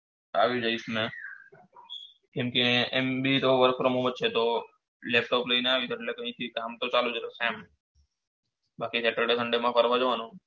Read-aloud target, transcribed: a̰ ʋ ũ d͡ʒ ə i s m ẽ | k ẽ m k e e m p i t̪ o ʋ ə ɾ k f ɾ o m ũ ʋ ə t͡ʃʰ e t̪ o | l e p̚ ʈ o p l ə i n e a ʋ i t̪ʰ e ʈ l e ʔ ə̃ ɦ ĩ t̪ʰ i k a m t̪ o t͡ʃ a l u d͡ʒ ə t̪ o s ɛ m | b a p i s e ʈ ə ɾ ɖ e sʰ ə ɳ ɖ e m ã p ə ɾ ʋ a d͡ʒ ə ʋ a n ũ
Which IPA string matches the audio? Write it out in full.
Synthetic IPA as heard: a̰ ʋ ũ d͡ʒ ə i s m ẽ | k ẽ m k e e m b i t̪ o ʋ ə ɾ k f ɾ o m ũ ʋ ə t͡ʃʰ e t̪ o | l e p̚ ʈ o p l ə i n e a ʋ i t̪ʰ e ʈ l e k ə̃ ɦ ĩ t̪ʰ i k a m t̪ o t͡ʃ a l u d͡ʒ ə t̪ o s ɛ m | b a k i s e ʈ ə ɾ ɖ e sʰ ə ɳ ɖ e m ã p ə ɾ ʋ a d͡ʒ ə ʋ a n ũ